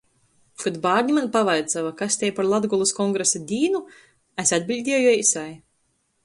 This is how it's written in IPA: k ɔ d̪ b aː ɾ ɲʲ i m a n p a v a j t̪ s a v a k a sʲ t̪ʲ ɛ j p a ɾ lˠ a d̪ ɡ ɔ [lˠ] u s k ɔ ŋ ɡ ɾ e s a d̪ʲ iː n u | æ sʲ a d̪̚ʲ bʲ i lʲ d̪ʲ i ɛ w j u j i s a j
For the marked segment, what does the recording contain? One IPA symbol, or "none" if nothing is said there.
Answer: lˠ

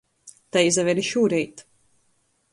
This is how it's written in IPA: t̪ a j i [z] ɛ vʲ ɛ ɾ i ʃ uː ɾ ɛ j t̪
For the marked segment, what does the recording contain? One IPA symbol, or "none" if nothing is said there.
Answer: z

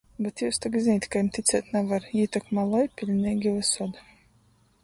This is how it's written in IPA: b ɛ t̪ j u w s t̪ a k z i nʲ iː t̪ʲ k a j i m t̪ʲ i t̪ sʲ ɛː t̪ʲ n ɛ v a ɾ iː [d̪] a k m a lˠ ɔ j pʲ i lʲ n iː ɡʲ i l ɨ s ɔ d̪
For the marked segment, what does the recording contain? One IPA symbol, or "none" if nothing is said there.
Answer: t̪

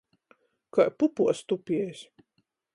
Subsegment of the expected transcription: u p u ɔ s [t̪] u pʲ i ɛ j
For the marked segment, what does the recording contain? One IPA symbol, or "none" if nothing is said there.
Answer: t̪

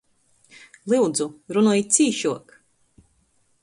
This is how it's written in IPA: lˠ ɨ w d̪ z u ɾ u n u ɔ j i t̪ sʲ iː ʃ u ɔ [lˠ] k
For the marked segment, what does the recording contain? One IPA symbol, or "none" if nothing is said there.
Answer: none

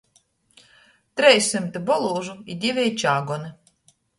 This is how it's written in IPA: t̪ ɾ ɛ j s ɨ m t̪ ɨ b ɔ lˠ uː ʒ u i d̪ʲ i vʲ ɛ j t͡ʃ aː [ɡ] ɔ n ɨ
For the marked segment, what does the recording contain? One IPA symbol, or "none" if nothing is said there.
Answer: ɡ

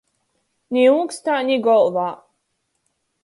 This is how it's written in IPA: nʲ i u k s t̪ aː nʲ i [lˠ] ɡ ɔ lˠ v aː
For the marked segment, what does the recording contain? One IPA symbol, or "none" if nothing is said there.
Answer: none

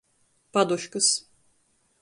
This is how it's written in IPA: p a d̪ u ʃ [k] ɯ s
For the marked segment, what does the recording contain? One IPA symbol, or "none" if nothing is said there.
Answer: k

